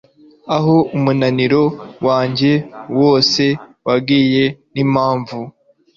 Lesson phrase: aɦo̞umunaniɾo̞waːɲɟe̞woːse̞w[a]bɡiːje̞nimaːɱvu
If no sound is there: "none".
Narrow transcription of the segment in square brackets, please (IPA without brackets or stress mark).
a